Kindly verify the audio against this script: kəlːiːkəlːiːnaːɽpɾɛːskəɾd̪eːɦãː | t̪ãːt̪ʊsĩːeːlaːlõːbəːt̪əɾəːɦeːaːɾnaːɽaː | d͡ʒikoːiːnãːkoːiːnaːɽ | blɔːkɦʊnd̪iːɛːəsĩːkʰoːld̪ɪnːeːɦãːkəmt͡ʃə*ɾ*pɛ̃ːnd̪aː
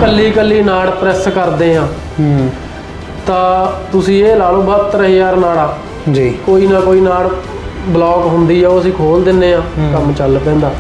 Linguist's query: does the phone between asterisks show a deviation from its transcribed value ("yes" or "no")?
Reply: yes